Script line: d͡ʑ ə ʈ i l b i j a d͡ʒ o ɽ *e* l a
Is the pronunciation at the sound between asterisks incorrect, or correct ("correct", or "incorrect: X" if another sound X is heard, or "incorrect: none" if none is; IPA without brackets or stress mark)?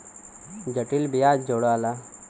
incorrect: a